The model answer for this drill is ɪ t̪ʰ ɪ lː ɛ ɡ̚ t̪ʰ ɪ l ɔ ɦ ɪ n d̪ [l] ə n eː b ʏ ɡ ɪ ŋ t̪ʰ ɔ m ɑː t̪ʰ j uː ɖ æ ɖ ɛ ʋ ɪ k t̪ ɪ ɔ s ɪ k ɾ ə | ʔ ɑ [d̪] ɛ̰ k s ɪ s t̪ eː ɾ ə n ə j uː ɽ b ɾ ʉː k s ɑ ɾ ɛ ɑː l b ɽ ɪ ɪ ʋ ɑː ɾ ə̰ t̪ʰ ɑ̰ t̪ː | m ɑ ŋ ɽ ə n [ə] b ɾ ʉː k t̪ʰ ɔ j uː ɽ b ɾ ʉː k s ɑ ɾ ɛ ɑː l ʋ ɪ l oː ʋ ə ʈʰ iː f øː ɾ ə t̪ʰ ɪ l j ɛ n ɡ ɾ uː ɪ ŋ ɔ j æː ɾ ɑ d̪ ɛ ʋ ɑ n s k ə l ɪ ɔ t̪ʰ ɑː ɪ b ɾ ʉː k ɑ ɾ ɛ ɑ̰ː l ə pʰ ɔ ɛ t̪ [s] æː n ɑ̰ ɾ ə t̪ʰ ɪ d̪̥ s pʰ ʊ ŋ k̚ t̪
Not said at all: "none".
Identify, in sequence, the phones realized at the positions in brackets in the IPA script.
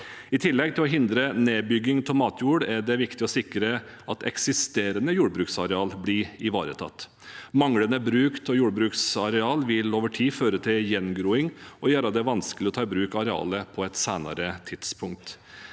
ɾ, t̪, ə, s

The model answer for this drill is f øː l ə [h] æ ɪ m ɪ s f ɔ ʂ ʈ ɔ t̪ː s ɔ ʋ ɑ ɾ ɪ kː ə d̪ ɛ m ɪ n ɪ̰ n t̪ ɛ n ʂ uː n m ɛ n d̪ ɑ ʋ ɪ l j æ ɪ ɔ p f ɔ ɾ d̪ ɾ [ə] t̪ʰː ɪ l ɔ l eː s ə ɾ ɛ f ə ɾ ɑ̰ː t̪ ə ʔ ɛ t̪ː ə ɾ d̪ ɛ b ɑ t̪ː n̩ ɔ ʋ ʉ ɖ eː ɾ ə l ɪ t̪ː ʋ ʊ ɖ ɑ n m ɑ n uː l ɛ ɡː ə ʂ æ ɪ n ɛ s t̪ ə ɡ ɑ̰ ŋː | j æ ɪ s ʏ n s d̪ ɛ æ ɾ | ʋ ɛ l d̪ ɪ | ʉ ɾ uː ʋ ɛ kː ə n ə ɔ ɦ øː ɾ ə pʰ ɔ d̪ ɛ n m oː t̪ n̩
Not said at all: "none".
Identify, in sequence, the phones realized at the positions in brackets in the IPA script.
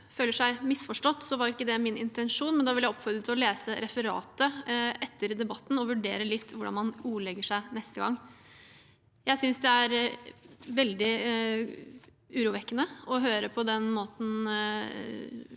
ʂ, ə

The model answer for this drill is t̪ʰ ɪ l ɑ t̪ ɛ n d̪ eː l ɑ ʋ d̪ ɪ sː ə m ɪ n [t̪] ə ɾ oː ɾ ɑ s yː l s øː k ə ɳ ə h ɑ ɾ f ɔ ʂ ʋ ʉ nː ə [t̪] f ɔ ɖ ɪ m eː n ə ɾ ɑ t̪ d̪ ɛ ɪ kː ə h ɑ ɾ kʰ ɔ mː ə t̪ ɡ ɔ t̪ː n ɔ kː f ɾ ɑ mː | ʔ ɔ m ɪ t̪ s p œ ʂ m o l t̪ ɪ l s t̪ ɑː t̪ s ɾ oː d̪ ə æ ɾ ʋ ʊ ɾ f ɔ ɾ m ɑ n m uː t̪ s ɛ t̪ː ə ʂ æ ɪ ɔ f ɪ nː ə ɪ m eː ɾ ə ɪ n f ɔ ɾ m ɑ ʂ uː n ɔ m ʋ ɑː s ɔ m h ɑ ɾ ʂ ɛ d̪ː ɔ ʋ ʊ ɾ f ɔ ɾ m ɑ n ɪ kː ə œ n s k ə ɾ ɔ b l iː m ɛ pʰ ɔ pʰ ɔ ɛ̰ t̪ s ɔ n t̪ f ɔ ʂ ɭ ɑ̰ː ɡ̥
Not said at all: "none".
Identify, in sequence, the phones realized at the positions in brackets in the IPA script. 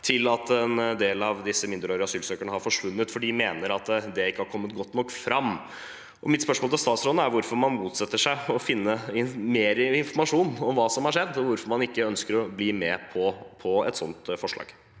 d̪, t̪

